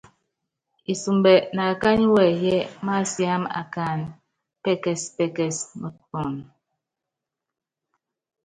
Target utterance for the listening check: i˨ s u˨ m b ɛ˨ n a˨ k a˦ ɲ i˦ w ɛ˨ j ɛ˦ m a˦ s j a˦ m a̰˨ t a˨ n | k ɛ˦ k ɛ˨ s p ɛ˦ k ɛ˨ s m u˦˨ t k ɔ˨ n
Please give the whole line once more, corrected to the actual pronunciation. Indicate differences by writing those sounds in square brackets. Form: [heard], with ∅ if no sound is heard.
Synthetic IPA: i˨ s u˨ m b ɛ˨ n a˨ k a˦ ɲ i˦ w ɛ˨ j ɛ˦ m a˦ s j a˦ m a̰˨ [k] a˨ n | [p] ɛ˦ k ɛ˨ s p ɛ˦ k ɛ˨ s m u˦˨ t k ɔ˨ n